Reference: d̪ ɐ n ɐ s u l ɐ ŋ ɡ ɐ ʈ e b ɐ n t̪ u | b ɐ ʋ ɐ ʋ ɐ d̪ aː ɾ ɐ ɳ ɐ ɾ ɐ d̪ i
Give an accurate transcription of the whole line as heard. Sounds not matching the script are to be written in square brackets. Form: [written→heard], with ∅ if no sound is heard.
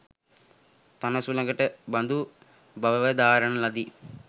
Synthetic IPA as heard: [d̪→t̪] ɐ n ɐ s u l ɐ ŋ ɡ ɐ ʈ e b ɐ n [t̪→d̪] u | b ɐ ʋ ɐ ʋ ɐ d̪ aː ɾ ɐ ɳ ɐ [ɾ→l] ɐ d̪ i